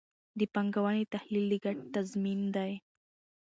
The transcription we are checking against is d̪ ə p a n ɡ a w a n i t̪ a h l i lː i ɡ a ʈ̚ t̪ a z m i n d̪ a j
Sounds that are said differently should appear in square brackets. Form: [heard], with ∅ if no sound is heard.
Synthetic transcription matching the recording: d̪ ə p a [ŋ] ɡ a w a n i t̪ a h l i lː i ɡ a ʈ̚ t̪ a z m i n d̪ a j